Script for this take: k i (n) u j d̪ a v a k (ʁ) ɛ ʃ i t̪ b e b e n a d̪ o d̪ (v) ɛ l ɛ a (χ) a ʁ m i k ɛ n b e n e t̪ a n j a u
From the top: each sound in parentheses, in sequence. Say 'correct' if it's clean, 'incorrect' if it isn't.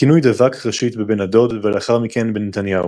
correct, correct, correct, correct

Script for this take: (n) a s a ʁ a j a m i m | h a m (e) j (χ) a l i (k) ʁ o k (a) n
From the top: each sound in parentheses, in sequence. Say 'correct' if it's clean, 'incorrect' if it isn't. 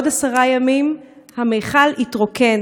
incorrect: d, correct, correct, incorrect: t, incorrect: e

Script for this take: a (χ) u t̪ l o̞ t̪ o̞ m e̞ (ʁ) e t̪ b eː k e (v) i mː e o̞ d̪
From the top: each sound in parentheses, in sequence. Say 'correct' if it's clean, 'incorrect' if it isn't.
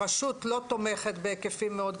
incorrect: ʃ, incorrect: χ, incorrect: f

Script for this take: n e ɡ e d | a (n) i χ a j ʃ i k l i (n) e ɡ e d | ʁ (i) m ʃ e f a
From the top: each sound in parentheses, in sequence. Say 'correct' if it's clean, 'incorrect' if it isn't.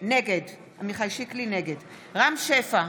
incorrect: m, correct, incorrect: a

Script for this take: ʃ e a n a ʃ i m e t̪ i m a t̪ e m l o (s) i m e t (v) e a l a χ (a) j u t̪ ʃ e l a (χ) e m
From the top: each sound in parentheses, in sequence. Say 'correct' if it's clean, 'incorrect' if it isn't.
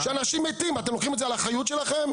incorrect: χ, incorrect: z, correct, correct

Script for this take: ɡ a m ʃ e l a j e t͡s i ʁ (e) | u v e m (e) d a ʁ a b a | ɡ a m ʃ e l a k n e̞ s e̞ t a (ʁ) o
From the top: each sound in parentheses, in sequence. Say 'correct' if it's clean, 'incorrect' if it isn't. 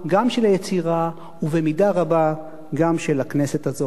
incorrect: a, incorrect: i, incorrect: z

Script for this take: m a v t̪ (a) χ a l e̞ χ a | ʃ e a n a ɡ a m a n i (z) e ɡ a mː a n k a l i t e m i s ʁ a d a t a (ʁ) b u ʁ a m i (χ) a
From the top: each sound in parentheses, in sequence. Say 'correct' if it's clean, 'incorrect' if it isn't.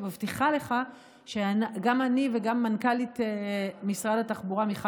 incorrect: i, incorrect: v, incorrect: χ, correct

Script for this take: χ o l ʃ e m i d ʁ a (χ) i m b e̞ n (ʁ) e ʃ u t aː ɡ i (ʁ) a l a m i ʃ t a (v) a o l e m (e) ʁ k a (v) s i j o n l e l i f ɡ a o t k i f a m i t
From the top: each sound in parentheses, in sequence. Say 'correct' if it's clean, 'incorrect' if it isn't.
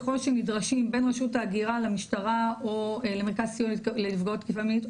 incorrect: ʃ, correct, correct, incorrect: ʁ, correct, incorrect: z

